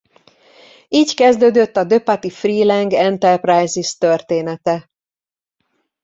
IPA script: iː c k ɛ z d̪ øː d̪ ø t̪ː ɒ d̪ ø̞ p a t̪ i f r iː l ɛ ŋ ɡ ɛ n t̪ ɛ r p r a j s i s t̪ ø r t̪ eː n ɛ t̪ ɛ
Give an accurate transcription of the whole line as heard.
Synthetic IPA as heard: iː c k ɛ z d̪ øː d̪ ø t̪ː ɒ d̪ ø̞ p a t̪ i f r iː l ɛ ŋ ɡ ɛ n t̪ ɛ r p r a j z i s t̪ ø r t̪ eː n ɛ t̪ ɛ